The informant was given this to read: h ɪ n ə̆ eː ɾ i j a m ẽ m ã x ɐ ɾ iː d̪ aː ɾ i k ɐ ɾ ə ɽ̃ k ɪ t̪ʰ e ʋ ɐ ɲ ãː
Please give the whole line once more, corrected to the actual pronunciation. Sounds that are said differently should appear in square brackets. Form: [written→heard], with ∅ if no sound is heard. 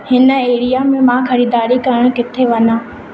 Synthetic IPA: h ɪ n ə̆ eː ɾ i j a m ẽ m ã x ɐ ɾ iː d̪ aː ɾ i k ɐ ɾ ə ɽ̃ k ɪ t̪ʰ e ʋ ɐ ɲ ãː